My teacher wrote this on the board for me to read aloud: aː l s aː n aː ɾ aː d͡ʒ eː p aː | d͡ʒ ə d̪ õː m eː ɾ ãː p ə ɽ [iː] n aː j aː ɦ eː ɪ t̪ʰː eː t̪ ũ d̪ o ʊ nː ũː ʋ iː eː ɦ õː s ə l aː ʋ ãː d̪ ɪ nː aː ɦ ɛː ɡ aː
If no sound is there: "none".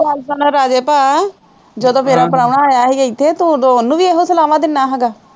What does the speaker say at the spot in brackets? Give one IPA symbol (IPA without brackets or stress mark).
aː